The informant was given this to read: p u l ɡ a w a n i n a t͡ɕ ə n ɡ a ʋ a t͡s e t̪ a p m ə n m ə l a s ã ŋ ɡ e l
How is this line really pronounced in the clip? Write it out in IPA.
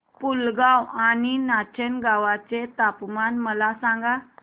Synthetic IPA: p u l ɡ a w a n i n a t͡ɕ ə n ɡ a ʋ a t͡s e t̪ a p m a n m ə l a s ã ŋ ɡ a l